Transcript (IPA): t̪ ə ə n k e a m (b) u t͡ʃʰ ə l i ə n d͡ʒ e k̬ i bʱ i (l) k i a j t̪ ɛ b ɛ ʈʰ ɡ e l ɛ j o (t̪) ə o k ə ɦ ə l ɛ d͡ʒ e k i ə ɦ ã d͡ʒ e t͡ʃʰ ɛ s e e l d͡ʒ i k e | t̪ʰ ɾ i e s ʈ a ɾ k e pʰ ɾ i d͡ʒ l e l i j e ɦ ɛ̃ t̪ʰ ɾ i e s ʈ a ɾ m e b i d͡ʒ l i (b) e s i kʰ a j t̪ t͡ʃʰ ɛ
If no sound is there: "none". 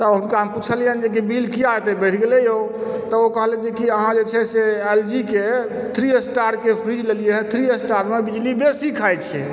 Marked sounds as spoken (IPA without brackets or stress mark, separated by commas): p, l, t̪, b